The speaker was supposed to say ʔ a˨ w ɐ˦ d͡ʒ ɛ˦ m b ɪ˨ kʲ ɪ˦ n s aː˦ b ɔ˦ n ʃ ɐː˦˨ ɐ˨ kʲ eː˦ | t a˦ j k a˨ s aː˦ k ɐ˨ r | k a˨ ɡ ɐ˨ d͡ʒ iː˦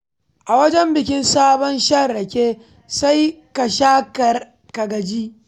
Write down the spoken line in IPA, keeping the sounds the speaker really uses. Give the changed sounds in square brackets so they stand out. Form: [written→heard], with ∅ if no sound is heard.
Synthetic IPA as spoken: ʔ a˨ w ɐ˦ d͡ʒ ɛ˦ m b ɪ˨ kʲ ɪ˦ n s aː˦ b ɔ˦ n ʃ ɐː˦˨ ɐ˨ kʲ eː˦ | [t→s] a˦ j k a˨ [s→ʃ] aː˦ k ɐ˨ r | k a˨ ɡ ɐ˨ d͡ʒ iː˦